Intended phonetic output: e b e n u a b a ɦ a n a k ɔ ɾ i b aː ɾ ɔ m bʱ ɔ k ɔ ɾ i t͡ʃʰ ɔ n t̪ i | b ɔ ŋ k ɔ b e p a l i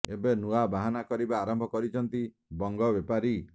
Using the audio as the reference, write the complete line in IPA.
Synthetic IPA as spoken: e b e n u a b a ɦ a n a k ɔ ɾ i b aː ɾ ɔ m bʱ ɔ k ɔ ɾ i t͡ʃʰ ɔ n t̪ i | b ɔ ŋ ɡ ɔ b e p a ɾ i